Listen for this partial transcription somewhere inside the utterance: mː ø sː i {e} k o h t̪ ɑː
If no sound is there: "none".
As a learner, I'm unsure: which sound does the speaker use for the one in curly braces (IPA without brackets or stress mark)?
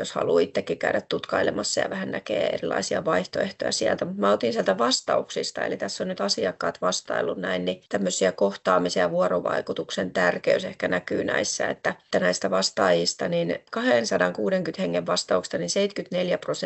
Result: æ